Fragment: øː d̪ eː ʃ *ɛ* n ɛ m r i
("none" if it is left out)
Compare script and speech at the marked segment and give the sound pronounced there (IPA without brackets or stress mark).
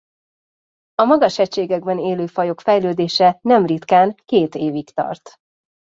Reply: ɛ